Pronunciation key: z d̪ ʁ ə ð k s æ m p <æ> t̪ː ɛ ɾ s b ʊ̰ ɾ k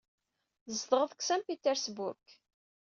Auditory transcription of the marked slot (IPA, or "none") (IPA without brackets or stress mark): i